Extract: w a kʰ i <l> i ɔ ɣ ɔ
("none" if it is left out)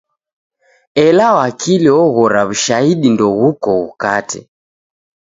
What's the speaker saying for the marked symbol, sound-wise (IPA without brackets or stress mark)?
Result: l